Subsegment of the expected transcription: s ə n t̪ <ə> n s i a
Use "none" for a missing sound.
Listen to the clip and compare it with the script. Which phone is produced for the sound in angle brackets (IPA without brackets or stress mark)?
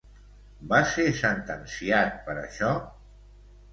ə